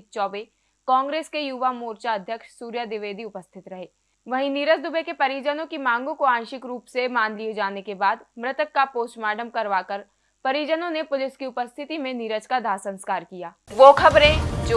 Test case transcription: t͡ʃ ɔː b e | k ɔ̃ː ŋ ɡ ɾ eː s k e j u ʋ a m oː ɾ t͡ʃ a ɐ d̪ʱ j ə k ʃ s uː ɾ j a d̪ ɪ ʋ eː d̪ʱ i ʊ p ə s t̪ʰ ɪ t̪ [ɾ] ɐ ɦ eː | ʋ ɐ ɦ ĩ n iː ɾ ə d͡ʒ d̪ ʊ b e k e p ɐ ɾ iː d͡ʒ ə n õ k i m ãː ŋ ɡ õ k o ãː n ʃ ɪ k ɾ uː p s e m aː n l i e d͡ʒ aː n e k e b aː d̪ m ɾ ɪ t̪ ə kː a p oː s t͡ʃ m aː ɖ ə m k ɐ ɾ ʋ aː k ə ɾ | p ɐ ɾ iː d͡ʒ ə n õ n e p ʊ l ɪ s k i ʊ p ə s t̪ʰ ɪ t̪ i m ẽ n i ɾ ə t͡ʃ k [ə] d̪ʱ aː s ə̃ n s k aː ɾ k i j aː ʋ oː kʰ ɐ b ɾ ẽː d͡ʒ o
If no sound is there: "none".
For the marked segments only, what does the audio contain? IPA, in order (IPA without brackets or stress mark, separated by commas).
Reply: ɾ, a